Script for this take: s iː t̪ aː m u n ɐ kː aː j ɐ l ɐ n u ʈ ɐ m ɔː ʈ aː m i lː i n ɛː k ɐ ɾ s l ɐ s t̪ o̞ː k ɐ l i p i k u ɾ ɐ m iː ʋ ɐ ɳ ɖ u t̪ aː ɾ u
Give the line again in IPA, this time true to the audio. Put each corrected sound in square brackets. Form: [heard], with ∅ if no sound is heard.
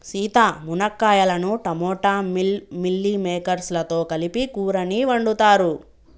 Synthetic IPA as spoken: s iː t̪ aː m u n ɐ kː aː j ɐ l ɐ n u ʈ ɐ m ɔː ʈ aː m i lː i [m] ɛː k ɐ ɾ s l ɐ [∅] t̪ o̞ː k ɐ l i p i k [uː] ɾ ɐ [n] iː ʋ ɐ ɳ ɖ u t̪ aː ɾ u